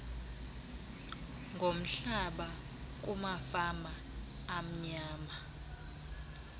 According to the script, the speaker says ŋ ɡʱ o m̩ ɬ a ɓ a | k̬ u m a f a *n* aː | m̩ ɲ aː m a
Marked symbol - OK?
no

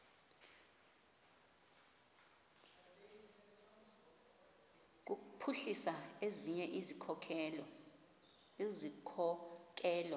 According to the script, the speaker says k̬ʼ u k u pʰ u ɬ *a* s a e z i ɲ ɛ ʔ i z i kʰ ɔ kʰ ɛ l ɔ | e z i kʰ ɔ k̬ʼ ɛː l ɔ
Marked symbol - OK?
no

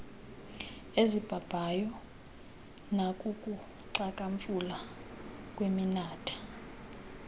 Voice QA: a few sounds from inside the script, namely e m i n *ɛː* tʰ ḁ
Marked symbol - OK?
no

